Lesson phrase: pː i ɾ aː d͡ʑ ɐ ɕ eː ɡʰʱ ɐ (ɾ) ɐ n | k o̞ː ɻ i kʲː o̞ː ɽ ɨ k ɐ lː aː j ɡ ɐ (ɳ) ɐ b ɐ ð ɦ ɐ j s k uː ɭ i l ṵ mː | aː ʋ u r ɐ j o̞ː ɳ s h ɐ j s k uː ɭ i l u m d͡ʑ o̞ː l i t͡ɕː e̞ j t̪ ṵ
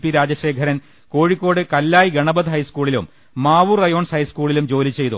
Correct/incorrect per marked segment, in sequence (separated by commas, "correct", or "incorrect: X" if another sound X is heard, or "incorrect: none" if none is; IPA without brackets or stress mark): correct, correct